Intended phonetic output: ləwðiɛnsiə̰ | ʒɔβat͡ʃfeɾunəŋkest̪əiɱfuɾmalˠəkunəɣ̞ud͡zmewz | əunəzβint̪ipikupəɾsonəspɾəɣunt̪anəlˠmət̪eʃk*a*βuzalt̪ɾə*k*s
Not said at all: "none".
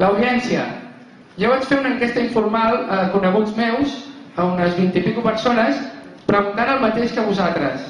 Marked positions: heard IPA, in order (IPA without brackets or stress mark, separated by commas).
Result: ə, none